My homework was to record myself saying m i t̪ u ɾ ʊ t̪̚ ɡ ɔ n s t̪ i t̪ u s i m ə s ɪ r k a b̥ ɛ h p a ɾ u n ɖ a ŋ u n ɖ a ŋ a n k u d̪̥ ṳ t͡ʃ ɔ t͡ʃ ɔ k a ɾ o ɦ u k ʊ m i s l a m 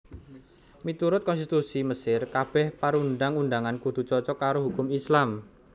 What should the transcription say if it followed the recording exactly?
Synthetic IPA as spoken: m i t̪ u ɾ ʊ t̪̚ k ɔ n s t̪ i t̪ u s i m ə s ɪ r k a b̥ ɛ h p a ɾ u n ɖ a ŋ u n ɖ a ŋ a n k u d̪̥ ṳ t͡ʃ ɔ t͡ʃ ɔ k a ɾ o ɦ u k ʊ m i s l a m